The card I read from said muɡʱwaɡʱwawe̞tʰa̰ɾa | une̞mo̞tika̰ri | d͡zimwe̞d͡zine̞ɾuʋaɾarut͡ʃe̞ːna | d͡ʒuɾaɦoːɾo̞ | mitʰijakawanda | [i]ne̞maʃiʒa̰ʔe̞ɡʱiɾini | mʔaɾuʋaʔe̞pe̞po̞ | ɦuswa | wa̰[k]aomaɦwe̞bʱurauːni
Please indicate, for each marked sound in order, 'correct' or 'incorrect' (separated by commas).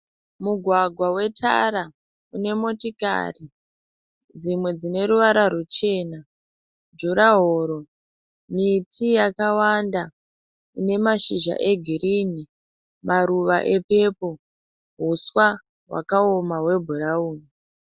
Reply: correct, correct